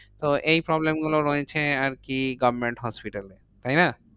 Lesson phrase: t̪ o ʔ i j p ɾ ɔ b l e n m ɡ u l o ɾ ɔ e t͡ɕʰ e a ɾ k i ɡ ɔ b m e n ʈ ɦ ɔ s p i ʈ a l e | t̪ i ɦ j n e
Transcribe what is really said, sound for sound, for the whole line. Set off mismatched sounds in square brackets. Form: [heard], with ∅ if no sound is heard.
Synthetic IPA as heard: t̪ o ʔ [e] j p ɾ ɔ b l e [∅] m ɡ u l o ɾ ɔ e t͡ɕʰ e a ɾ k i ɡ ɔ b m e [ɳ] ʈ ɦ ɔ s p i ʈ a l e | t̪ [a] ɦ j n [a]